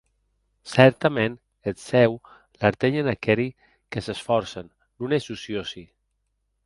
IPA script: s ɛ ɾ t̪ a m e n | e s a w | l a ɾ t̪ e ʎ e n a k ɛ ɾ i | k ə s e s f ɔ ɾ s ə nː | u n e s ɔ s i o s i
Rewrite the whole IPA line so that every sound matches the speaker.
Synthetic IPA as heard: s ɛ ɾ t̪ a m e n | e s ɛ w | l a ɾ t̪ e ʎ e n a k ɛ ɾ i | k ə s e s f ɔ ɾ s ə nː | u n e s u s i o s i